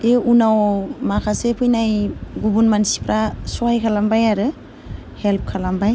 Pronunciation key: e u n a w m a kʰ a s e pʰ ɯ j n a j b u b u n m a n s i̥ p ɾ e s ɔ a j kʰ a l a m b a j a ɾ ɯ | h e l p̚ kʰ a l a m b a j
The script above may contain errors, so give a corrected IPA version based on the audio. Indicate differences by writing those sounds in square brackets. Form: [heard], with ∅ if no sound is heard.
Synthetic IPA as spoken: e u n a w m a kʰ a s e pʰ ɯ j n a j [ɡ] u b u n m a n s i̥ p ɾ [a] s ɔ a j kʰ a l a m b a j a ɾ ɯ | h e l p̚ kʰ a l a m b a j